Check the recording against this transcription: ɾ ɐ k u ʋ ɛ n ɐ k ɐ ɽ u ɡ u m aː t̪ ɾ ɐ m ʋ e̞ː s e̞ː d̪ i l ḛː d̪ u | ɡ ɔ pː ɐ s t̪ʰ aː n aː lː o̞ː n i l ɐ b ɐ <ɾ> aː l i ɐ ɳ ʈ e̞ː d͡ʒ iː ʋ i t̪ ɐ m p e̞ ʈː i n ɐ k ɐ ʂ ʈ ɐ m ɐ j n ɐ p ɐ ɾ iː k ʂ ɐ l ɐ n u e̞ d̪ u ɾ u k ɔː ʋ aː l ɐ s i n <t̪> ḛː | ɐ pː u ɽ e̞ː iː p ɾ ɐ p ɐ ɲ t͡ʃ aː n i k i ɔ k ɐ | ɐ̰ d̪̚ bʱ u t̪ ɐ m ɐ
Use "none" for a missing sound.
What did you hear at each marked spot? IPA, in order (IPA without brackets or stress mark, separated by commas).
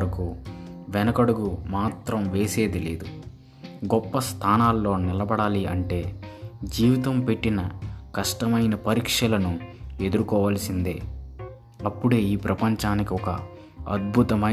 ɽ, d̪